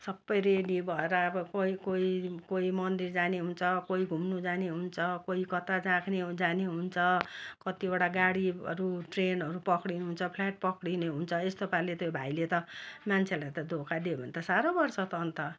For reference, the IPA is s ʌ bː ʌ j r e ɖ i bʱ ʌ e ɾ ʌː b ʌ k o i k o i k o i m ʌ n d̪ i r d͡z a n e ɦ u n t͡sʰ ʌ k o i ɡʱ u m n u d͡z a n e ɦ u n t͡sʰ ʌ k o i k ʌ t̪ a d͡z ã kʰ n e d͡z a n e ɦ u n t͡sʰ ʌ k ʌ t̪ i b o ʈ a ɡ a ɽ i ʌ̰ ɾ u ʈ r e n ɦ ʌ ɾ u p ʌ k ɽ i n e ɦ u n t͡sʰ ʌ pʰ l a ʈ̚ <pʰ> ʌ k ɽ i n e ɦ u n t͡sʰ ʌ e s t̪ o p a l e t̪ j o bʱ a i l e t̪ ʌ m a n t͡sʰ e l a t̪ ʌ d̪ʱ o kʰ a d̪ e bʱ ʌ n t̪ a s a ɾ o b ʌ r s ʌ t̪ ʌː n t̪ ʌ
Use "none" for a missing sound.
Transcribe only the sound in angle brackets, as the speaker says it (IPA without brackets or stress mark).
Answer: p